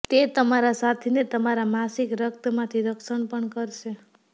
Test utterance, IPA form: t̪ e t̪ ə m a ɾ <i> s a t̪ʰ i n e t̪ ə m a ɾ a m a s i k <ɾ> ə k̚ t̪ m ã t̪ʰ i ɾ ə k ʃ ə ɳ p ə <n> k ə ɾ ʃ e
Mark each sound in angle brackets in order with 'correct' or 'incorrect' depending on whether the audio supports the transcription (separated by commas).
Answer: incorrect, correct, incorrect